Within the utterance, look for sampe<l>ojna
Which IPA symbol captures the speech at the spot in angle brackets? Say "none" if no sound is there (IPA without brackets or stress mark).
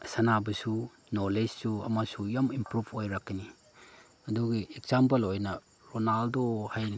l